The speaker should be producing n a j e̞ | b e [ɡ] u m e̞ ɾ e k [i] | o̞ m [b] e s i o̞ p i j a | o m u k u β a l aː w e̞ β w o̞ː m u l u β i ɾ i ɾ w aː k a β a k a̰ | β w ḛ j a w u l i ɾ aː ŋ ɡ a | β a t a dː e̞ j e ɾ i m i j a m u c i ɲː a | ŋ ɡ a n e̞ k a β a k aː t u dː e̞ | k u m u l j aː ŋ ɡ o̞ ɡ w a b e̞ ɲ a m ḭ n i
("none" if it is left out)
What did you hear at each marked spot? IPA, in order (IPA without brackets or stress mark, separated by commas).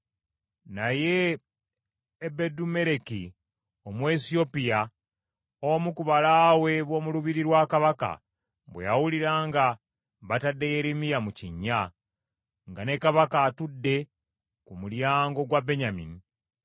d, i, w